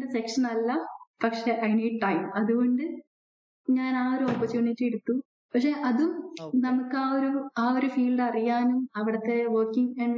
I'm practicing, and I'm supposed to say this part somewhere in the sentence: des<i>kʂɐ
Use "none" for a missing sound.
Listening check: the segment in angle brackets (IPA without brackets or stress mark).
e